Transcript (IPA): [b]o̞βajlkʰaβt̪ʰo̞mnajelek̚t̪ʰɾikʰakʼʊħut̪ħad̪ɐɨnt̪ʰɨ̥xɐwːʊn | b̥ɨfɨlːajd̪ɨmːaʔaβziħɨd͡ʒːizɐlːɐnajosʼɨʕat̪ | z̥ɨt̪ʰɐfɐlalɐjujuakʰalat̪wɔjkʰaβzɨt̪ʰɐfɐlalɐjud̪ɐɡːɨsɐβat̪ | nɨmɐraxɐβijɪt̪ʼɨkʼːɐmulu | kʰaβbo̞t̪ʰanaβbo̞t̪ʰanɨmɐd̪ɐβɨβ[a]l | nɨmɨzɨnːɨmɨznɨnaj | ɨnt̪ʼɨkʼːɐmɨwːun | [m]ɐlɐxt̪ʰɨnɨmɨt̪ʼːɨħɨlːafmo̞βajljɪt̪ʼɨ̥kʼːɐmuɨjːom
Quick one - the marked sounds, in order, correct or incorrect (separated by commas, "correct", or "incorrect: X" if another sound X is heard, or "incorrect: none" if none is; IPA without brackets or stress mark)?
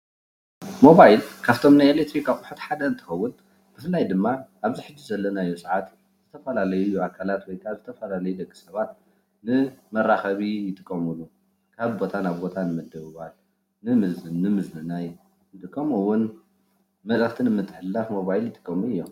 incorrect: m, correct, correct